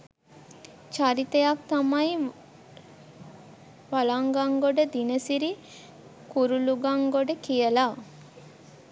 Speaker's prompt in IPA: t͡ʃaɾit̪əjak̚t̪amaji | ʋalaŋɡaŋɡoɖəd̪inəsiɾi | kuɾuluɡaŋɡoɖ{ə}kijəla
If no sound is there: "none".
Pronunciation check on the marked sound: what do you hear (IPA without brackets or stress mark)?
ə